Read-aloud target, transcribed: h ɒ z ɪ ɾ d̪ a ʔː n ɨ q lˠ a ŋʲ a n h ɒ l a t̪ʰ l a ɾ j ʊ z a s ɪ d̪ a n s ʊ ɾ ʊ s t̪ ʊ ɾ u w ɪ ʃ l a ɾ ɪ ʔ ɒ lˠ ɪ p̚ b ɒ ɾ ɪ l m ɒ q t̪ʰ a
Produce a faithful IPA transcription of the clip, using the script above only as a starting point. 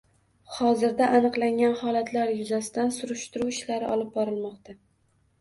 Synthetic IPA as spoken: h ɒ z ɪ ɾ d̪ a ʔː n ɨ q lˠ a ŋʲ a n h ɒ l a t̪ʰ l a ɾ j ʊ z a s ɪ d̪ a n s ʊ ɾ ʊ ʃ t̪ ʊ ɾ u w ɪ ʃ l a ɾ ɪ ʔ ɒ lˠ ɪ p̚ b ɒ ɾ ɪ l m ɒ q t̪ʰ a